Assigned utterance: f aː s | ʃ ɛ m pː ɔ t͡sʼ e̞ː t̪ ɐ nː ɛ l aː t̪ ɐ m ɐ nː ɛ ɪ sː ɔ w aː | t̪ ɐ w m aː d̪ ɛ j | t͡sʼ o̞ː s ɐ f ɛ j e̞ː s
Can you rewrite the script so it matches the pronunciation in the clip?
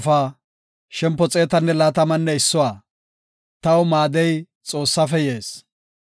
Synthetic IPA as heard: f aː | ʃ ɛ m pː ɔ t͡sʼ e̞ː t̪ ɐ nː ɛ l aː t̪ ɐ m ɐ nː ɛ ɪ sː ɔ w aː | t̪ ɐ w m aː d̪ ɛ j | t͡sʼ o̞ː sː ɐ f ɛ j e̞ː s